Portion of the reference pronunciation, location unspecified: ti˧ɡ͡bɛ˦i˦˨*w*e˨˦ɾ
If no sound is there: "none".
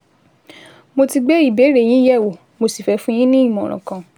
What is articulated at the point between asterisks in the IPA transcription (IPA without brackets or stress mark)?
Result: b